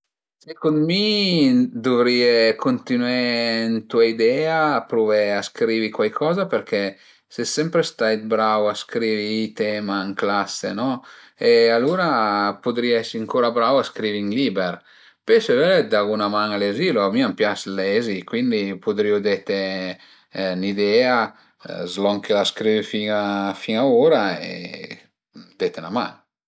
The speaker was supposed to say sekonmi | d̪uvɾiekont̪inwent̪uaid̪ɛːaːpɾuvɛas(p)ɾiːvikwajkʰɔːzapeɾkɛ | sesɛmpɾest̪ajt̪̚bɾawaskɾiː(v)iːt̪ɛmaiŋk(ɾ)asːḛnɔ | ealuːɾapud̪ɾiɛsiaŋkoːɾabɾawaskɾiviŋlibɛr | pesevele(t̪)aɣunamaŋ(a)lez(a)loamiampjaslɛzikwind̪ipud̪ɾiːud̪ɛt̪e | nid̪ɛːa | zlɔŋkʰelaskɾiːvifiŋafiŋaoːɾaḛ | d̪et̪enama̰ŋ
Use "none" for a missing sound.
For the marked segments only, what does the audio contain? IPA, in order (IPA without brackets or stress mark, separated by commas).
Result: k, v, l, d̪, a, i